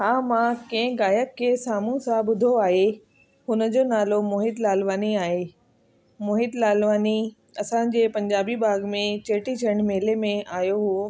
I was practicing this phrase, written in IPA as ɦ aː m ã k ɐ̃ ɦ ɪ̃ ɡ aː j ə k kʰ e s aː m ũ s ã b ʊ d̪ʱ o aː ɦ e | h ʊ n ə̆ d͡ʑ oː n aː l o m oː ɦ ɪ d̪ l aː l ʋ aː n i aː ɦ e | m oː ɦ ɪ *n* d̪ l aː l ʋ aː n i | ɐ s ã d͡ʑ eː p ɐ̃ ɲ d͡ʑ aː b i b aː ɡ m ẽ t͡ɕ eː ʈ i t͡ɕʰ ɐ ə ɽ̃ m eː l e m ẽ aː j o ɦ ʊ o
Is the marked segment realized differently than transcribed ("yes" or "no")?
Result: yes